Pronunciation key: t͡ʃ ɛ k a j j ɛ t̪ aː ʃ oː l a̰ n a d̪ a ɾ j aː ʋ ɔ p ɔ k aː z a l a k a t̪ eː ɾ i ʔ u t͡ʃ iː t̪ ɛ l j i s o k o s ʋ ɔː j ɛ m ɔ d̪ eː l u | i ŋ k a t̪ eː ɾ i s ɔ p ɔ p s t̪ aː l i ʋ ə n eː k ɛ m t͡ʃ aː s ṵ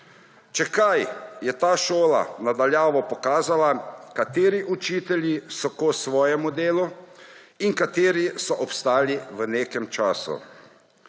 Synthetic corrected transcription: t͡ʃ ɛ k a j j ɛ t̪ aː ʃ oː l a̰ n a d̪ a l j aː ʋ ɔ p ɔ k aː z a l a k a t̪ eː ɾ i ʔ u t͡ʃ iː t̪ ɛ l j i s ɔ k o s ʋ ɔː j ɛ m u d̪ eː l u | i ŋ k a t̪ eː ɾ i s ɔ ʔ ɔ p s t̪ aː l i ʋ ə n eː k ɛ m t͡ʃ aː s ṵ

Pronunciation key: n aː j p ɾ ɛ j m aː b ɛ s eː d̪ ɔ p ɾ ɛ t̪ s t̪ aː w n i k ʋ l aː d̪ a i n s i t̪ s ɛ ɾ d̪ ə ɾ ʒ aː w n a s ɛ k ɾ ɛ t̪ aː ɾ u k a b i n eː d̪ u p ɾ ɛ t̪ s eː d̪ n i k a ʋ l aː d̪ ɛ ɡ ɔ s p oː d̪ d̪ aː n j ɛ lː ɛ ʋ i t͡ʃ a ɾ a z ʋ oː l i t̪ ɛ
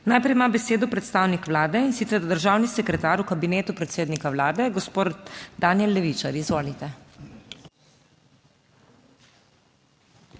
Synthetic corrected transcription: n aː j p ɾ ɛ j m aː b ɛ s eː d̪ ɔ p ɾ ɛ t̪ s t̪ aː w n i k ʋ l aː d̪ ɛ i n s i t̪ s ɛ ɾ d̪ ə ɾ ʒ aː w n i s ɛ k ɾ ɛ t̪ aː ɾ u k a b i n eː t̪ u p ɾ ɛ t̪ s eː d̪ n i k a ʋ l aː d̪ ɛ ɡ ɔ s p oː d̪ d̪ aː n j ɛ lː ɛ ʋ i t͡ʃ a ɾ i z ʋ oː l i t̪ ɛ

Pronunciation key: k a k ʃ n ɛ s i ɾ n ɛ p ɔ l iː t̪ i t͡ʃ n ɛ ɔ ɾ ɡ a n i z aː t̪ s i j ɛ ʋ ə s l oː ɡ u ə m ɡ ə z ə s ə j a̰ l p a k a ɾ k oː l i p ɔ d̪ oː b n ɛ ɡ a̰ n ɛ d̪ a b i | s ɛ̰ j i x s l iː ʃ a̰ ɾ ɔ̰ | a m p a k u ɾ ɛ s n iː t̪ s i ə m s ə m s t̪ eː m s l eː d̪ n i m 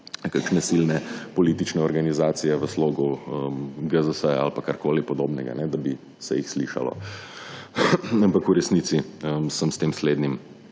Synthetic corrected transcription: k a k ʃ n ɛ s i l n ɛ p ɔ l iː t̪ i t͡ʃ n ɛ ɔ ɾ ɡ a n i z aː t̪ s i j ɛ ʋ ə s l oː ɡ u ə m ɡ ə z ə s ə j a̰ l p a k a ɾ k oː l i p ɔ d̪ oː b n ɛ ɡ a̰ n ɛ d̪ a b i | s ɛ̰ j i x s l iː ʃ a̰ l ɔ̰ | a m p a k u ɾ ɛ s n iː t̪ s i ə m s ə m s t̪ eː m s l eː d̪ n i m

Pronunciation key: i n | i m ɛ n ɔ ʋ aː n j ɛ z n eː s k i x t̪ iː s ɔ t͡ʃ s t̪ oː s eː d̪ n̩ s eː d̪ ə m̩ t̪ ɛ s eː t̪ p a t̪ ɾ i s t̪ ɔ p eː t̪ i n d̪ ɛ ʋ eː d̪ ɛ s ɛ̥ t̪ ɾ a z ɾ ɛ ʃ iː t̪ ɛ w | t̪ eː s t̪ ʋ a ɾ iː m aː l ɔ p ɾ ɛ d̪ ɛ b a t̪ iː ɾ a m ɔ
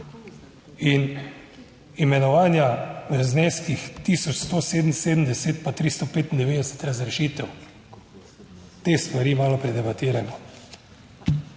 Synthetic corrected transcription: i n | i m ɛ n ɔ ʋ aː n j a z n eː s k i x t̪ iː s ɔ t͡ʃ s t̪ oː s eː d̪ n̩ s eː d̪ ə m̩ d̪ ɛ s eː t̪ p a t̪ ɾ i s t̪ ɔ p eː t̪ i n d̪ ɛ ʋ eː d̪ ɛ s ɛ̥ t̪ ɾ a z ɾ ɛ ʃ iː t̪ ɛ w | t̪ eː s t̪ ʋ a ɾ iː m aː l ɔ p ɾ ɛ d̪ ɛ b a t̪ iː ɾ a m ɔ

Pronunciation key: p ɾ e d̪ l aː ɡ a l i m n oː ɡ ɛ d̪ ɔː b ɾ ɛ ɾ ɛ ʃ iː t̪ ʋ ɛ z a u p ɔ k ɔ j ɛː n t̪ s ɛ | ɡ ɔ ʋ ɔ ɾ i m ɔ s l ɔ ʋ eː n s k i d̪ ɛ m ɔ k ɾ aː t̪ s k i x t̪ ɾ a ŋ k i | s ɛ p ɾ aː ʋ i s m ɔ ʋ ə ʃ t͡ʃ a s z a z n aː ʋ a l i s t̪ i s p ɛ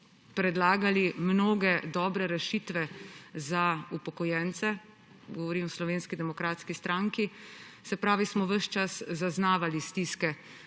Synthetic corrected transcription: p ɾ ɛ d̪ l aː ɡ a l i m n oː ɡ ɛ d̪ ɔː b ɾ ɛ ɾ ɛ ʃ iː t̪ ʋ ɛ z a u p ɔ k ɔ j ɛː n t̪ s ɛ | ɡ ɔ ʋ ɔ ɾ i m ɔ s l ɔ ʋ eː n s k i d̪ ɛ m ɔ k ɾ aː t̪ s k i s t̪ ɾ a ŋ k i | s ɛ p ɾ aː ʋ i s m ɔ ʋ ə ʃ t͡ʃ a s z a z n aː ʋ a l i s t̪ i s k ɛ

